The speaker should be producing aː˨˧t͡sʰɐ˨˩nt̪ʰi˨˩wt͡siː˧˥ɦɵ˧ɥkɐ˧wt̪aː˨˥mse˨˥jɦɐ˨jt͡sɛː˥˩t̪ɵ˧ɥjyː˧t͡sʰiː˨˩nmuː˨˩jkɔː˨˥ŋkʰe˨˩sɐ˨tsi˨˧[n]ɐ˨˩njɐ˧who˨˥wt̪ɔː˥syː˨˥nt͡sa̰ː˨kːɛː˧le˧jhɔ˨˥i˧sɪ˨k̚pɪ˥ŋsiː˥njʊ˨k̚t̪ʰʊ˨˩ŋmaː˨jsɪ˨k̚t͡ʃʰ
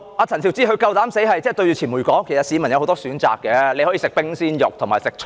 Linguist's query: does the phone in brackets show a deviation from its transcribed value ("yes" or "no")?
yes